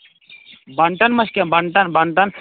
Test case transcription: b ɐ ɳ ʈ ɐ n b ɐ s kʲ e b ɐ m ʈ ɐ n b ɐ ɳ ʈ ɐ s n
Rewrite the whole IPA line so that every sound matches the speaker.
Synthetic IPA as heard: b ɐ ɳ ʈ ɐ n m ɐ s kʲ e b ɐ ɳ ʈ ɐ n b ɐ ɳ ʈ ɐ n